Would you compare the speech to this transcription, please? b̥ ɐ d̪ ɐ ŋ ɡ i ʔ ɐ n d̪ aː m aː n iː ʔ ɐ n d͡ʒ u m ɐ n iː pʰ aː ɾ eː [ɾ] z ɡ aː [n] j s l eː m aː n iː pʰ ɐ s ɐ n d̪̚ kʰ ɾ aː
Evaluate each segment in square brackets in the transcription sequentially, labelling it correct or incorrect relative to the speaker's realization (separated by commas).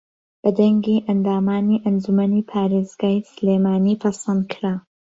incorrect, incorrect